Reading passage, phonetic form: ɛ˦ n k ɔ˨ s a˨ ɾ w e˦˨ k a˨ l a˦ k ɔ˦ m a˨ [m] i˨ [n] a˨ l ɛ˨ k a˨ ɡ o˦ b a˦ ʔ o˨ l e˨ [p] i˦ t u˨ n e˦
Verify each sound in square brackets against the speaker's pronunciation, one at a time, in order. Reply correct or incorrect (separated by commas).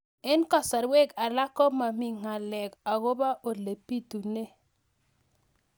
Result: correct, incorrect, correct